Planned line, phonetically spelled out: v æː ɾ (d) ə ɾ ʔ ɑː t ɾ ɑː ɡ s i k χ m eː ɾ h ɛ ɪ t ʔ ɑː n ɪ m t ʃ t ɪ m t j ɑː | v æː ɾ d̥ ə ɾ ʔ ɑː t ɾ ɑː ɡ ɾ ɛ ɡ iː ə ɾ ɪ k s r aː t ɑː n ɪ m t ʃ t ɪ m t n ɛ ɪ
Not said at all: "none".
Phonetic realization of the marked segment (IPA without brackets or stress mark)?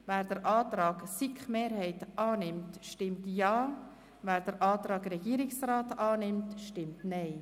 d